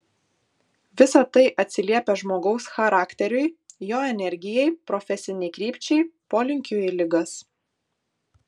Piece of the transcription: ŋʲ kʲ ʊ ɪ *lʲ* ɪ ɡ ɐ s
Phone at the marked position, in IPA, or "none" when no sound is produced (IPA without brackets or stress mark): lʲ